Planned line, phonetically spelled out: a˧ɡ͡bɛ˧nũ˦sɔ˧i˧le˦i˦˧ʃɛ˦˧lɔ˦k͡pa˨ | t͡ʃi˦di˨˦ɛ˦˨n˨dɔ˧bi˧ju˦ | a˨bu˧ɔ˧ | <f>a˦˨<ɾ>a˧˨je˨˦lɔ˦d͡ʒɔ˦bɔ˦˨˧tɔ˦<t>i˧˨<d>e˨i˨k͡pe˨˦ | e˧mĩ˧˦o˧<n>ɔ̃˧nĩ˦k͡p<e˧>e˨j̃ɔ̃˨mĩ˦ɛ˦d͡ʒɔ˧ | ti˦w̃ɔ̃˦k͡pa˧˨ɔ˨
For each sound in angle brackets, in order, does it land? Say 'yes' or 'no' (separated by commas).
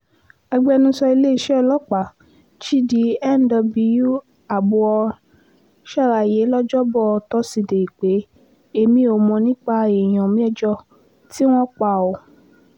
no, yes, no, yes, no, no